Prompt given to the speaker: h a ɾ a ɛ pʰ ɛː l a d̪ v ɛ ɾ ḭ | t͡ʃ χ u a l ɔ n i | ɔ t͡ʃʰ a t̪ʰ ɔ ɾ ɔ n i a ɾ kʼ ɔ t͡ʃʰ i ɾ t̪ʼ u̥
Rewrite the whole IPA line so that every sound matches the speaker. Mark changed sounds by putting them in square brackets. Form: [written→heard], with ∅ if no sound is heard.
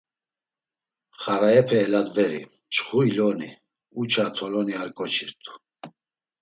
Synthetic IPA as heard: [h→χ] a ɾ a ɛ pʰ ɛː l a d̪ v ɛ ɾ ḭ | t͡ʃ χ u [a→i] l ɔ n i | [ɔ→u] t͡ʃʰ a t̪ʰ ɔ [ɾ→l] ɔ n i a ɾ kʼ ɔ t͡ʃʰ i ɾ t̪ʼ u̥